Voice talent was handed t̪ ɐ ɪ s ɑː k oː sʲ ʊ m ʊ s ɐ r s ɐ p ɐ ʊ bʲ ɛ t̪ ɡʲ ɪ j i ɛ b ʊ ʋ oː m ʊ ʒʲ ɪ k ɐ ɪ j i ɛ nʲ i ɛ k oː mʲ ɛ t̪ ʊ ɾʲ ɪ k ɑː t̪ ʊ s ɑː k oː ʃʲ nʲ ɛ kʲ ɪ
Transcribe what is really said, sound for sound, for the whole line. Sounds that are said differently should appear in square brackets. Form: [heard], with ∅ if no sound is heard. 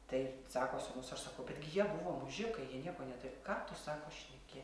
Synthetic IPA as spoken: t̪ ɐ ɪ s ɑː k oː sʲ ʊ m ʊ s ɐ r s ɐ [k] ɐ ʊ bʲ ɛ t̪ ɡʲ ɪ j i ɛ b ʊ ʋ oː m ʊ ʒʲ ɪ k ɐ ɪ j i ɛ nʲ i ɛ k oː [nʲ] ɛ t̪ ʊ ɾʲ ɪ k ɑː t̪ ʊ s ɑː k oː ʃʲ nʲ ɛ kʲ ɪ